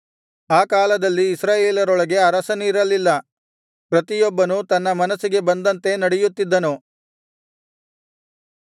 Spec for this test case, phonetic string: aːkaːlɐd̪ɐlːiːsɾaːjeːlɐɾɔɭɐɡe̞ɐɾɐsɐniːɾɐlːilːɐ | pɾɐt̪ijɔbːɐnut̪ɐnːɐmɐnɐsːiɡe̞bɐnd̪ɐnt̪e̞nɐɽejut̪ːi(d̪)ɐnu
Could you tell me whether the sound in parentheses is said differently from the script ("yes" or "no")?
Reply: yes